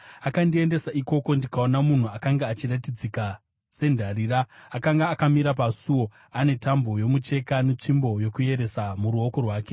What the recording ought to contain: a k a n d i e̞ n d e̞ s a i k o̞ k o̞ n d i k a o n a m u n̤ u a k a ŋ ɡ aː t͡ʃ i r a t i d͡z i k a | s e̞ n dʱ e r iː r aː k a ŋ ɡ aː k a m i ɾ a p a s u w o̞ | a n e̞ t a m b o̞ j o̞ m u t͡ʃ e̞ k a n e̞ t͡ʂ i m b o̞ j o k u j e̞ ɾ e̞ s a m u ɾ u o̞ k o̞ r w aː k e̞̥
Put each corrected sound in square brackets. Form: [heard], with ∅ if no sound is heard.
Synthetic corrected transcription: a k a n d i e̞ n d e̞ s a i k o̞ k o̞ n d i k a o n a m u n̤ u a k a ŋ ɡ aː t͡ʃ i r a t i d͡z i k a | s e̞ n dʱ [a] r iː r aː k a ŋ ɡ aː k a m i ɾ a p a s u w o̞ | a n e̞ t a m b o̞ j o̞ m u t͡ʃ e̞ k a n e̞ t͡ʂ i m b o̞ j o k u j e̞ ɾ e̞ s a m u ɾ u o̞ k o̞ r w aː k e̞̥